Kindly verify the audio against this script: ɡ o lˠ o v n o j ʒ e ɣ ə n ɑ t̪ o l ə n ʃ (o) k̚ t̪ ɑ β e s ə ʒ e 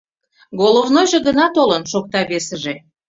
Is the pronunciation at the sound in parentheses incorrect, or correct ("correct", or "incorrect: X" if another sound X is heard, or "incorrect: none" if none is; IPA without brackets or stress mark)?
correct